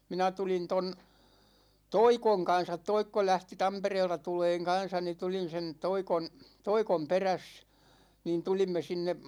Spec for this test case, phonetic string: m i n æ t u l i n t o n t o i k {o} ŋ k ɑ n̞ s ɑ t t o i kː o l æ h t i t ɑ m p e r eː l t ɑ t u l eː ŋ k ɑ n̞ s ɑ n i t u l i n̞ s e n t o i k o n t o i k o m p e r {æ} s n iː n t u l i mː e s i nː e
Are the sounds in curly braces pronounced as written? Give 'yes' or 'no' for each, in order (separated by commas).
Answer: yes, yes